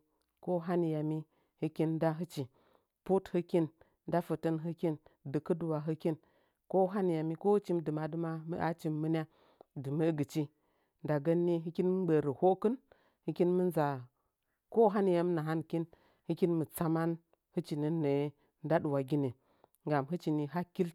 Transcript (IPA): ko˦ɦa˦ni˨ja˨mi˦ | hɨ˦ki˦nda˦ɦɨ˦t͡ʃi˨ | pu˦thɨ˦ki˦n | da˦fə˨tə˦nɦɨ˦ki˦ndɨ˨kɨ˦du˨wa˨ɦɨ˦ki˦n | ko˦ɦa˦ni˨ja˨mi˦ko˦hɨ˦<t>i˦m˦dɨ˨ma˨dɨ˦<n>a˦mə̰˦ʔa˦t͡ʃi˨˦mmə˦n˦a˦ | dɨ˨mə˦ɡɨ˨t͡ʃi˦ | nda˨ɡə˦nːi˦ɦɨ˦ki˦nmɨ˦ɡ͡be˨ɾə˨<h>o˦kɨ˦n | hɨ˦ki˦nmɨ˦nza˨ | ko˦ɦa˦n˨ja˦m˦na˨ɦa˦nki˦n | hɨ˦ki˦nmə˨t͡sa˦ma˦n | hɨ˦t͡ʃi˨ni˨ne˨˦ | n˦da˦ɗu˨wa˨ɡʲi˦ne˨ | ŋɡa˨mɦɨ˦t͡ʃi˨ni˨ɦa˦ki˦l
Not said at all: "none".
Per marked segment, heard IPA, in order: t͡ʃ, m, h

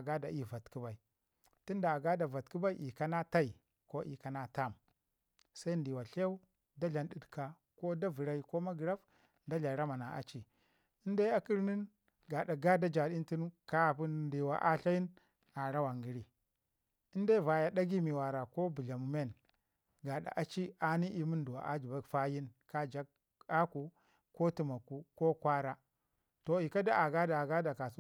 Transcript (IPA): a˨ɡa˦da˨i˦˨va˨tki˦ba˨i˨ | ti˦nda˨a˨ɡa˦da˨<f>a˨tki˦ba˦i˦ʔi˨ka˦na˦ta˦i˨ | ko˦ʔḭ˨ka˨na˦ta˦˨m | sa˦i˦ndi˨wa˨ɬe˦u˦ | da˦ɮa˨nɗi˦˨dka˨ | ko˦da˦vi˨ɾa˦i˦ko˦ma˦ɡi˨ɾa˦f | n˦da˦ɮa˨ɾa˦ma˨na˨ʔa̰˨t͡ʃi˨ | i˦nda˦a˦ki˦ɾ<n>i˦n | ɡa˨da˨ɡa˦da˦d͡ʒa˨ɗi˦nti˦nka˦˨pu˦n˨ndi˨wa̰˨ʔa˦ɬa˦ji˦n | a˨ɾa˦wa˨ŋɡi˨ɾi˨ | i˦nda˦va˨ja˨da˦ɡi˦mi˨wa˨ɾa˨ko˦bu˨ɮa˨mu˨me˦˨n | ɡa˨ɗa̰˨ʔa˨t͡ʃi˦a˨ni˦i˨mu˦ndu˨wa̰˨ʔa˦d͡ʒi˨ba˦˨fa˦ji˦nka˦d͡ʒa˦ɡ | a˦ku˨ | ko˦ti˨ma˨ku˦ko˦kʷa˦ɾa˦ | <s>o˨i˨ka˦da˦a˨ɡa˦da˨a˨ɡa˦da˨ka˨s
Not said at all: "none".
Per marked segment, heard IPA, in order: v, n, t

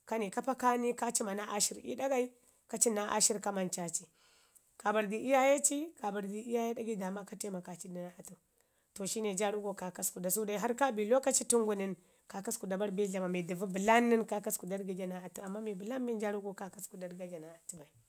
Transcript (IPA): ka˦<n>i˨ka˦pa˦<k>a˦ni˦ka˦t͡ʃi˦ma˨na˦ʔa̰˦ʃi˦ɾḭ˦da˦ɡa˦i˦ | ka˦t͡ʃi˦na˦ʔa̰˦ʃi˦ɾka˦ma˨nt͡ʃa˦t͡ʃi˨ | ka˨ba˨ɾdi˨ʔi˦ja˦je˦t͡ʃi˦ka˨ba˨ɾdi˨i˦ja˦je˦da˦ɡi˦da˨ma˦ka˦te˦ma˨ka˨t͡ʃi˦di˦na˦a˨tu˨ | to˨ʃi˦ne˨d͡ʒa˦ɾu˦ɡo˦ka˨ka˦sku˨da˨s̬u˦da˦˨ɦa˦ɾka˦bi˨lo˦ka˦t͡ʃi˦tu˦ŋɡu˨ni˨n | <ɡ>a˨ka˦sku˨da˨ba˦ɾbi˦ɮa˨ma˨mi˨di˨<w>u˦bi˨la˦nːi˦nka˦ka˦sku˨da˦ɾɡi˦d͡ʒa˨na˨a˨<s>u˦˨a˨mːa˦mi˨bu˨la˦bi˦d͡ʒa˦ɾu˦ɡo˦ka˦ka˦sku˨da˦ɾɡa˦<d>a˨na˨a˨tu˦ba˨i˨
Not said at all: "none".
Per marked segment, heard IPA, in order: n, k, k, v, t, d͡ʒ

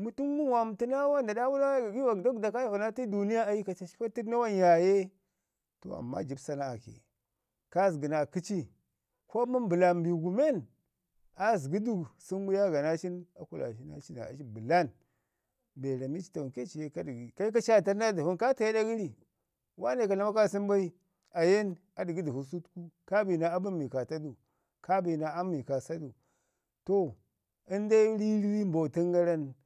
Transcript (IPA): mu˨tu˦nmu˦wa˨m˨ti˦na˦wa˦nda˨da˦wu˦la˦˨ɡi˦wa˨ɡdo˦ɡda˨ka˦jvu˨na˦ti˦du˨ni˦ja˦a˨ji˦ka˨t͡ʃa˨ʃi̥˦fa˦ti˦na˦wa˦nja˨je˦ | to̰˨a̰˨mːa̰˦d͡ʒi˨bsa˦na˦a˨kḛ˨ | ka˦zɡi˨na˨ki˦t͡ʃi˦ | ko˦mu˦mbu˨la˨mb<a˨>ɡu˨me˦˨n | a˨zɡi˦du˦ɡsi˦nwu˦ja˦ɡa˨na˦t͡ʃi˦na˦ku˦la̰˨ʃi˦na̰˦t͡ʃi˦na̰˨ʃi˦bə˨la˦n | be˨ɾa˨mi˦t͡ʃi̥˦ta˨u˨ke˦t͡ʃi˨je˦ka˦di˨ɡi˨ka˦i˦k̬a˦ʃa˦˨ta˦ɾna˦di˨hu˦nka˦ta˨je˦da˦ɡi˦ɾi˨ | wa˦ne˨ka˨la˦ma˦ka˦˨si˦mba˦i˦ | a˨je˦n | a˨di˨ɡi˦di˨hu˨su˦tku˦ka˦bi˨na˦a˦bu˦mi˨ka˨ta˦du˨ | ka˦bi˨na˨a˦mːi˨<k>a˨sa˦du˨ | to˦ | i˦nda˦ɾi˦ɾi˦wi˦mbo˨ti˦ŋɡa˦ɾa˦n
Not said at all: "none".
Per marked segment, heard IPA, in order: i˨, k

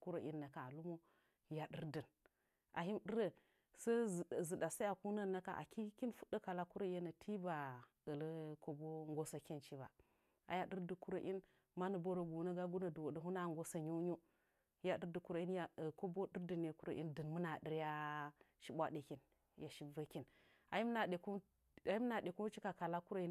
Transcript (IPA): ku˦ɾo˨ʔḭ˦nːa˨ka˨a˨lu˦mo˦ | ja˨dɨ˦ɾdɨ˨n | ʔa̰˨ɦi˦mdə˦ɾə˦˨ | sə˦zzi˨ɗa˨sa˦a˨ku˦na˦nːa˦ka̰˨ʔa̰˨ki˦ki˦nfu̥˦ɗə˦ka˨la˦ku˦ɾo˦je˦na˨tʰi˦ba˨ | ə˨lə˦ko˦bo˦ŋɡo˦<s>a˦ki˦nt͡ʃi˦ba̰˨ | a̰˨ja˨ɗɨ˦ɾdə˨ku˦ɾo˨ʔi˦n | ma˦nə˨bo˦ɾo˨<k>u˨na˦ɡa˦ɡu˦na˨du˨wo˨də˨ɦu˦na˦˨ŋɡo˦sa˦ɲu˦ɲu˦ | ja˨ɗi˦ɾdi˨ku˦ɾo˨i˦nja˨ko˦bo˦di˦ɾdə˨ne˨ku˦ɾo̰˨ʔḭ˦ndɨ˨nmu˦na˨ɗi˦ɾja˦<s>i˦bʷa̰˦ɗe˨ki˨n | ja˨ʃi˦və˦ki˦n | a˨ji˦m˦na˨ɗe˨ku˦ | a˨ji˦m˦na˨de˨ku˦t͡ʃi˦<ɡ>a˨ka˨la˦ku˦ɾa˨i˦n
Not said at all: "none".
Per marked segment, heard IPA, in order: s, ɡ, ʃ, k

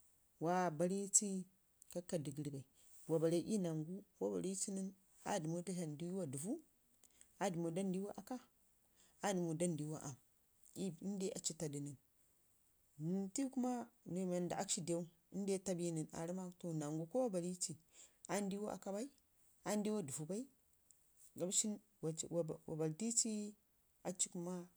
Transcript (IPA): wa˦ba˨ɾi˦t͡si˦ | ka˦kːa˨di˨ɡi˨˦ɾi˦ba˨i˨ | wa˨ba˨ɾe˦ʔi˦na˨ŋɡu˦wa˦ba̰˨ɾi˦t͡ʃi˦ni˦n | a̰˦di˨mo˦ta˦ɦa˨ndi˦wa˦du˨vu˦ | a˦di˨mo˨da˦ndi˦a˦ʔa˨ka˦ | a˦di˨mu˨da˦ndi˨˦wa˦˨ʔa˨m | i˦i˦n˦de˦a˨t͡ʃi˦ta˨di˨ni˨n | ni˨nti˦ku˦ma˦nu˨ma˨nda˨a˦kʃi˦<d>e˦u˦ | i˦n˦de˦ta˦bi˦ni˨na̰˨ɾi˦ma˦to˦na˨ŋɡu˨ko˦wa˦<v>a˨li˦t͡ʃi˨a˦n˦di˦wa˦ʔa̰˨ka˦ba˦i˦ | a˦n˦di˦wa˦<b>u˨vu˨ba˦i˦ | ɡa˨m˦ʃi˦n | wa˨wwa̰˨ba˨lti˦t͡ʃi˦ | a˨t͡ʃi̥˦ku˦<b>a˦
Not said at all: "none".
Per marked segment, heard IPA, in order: d, b, d, m

